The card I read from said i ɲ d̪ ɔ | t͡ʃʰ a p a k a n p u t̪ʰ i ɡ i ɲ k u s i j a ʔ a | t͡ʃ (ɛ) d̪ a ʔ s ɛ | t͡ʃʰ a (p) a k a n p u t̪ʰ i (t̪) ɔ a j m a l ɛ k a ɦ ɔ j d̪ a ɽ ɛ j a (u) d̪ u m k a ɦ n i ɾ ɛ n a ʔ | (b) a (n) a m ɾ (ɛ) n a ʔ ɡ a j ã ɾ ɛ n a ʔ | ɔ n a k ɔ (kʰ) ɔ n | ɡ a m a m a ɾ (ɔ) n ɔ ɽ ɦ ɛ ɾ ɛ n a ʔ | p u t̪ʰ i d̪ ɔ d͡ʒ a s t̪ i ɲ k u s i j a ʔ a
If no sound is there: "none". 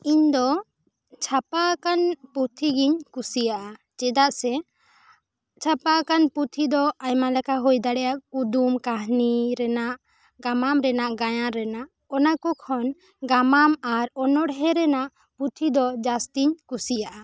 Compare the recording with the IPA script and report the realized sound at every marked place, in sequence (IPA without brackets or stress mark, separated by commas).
ɛ, p, d̪, u, ɡ, m, ɛ, kʰ, ɔ